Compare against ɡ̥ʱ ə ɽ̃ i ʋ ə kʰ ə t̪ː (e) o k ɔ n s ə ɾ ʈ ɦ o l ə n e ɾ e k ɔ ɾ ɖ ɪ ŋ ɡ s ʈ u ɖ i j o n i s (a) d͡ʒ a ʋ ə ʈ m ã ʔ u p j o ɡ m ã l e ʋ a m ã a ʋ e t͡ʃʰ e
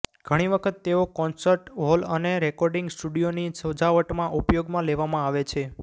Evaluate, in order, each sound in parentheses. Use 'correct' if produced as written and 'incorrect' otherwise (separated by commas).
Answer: correct, incorrect